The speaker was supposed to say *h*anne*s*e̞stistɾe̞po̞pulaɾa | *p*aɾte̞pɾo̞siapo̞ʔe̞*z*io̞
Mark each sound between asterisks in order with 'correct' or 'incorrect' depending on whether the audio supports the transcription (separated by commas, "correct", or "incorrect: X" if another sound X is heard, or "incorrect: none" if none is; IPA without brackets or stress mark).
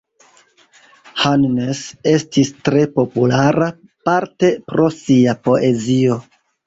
correct, correct, correct, correct